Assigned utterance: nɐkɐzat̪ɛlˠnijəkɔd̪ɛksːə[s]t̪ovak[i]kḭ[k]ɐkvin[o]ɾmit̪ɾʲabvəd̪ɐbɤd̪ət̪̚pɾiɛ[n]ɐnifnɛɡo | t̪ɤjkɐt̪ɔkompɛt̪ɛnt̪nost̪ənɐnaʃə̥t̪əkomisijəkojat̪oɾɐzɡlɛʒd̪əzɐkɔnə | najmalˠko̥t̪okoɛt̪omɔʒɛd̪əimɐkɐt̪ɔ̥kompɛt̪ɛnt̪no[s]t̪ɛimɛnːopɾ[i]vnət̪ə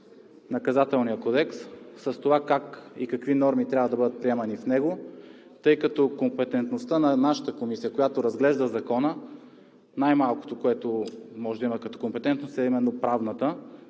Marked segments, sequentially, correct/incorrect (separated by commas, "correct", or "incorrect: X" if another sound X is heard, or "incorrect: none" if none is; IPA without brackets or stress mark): correct, incorrect: a, correct, incorrect: ɔ, incorrect: m, correct, incorrect: a